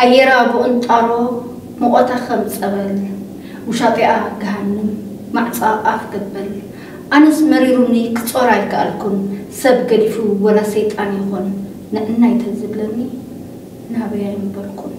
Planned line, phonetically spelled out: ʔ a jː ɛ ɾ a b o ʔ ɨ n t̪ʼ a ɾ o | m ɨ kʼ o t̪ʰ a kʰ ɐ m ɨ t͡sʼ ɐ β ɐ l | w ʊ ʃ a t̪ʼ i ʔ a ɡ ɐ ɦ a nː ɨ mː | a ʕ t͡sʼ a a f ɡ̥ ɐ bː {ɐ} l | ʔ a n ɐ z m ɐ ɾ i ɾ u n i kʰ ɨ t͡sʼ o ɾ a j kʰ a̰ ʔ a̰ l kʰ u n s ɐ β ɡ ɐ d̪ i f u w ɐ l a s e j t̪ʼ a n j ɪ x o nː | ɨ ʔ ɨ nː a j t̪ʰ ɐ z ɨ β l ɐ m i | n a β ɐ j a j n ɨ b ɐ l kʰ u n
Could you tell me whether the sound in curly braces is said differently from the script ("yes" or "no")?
no